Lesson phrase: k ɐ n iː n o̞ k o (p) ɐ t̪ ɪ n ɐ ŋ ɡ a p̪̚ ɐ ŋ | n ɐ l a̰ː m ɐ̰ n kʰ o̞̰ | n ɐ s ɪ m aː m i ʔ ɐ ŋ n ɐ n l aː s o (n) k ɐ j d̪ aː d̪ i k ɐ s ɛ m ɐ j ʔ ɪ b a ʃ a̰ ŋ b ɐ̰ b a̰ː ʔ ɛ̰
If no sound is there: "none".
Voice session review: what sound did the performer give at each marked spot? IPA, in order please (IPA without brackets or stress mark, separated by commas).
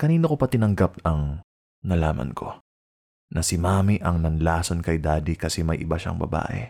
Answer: p, n